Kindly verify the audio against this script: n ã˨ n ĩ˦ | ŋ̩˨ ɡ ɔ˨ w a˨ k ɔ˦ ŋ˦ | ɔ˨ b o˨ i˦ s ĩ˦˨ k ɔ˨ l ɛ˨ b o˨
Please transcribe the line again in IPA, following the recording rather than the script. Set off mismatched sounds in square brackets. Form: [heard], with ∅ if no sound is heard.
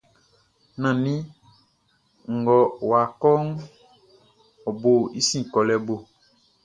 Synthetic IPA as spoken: n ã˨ n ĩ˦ | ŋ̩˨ ɡ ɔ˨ w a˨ k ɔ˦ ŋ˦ | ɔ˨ b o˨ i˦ s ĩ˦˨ k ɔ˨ l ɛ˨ b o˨